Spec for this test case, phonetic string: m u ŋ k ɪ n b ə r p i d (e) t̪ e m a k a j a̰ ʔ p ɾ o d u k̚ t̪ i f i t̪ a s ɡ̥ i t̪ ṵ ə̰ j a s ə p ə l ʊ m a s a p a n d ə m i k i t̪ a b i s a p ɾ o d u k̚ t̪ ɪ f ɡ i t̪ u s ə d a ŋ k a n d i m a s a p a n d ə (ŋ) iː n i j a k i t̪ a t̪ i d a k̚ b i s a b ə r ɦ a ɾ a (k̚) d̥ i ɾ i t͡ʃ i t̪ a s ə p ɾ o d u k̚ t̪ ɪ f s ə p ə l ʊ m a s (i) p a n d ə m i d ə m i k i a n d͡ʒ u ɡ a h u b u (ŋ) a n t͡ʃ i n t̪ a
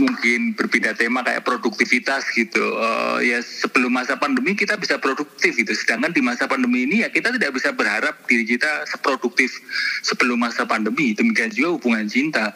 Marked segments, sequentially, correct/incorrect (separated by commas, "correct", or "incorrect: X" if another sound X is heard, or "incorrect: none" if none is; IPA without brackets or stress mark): incorrect: a, incorrect: m, incorrect: p̚, incorrect: a, correct